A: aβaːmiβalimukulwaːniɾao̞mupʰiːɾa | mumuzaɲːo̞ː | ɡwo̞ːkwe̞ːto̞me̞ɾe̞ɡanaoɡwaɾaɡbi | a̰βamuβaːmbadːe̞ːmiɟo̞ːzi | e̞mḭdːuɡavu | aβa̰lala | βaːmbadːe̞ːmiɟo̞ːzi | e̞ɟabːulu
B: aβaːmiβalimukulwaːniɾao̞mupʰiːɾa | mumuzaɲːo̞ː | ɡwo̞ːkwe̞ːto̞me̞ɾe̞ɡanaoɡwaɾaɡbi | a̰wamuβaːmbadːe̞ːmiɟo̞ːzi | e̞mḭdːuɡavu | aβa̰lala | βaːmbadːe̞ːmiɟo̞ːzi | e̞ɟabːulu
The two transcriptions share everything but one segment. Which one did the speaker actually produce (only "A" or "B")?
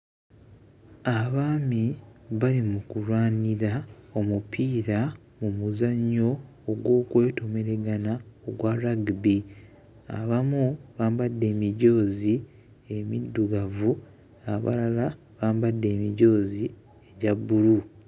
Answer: A